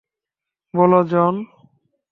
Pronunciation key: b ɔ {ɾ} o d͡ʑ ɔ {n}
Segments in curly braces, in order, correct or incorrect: incorrect, correct

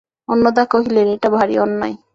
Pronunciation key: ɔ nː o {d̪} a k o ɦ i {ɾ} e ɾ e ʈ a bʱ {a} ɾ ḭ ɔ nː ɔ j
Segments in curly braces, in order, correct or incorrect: correct, incorrect, correct

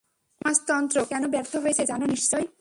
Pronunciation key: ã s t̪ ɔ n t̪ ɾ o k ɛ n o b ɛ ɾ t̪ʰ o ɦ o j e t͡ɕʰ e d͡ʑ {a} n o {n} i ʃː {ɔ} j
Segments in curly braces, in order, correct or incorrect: correct, correct, correct

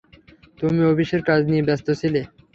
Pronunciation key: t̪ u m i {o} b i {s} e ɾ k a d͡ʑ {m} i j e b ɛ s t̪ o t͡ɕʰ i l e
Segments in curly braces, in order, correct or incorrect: correct, incorrect, incorrect

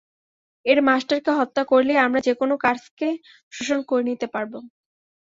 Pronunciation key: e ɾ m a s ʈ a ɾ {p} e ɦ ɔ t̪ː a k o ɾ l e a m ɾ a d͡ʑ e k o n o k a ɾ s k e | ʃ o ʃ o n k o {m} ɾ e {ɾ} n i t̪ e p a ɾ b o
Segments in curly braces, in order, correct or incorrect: incorrect, incorrect, incorrect

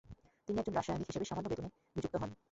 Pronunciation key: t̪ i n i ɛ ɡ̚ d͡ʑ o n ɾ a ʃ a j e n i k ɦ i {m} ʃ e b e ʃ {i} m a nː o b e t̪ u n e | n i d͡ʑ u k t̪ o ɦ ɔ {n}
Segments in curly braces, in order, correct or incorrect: incorrect, incorrect, correct

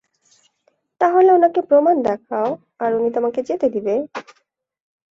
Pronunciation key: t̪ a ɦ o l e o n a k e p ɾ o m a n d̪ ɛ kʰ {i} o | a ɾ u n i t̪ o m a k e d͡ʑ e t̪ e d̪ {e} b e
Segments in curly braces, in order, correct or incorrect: incorrect, incorrect

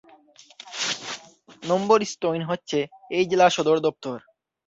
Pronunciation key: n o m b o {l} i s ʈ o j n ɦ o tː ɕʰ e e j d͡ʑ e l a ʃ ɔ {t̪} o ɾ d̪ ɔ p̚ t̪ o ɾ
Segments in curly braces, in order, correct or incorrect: incorrect, incorrect

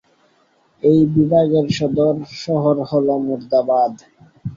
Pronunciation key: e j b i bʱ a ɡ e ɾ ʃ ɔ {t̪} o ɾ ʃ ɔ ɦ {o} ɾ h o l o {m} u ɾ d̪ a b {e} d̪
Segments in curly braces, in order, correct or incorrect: incorrect, correct, correct, incorrect

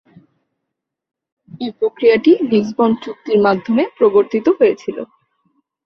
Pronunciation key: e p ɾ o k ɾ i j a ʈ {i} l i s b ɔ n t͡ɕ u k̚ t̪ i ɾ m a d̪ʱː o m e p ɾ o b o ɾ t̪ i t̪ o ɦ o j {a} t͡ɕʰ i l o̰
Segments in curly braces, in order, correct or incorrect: correct, incorrect

